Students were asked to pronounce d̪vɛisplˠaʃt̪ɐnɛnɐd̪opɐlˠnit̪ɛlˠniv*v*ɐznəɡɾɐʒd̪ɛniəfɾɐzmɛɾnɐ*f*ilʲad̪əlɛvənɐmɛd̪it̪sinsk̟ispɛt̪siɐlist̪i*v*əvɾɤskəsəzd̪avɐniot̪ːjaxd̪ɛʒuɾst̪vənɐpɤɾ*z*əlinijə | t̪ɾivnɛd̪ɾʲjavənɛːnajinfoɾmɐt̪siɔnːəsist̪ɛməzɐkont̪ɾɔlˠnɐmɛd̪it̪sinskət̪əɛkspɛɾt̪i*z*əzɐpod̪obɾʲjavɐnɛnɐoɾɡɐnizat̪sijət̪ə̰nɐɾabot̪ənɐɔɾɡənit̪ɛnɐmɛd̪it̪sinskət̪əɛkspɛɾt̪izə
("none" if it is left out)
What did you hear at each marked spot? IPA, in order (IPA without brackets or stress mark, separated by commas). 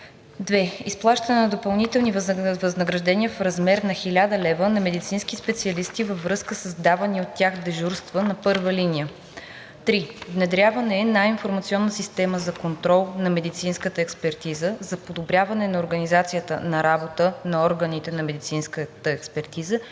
v, x, v, v, z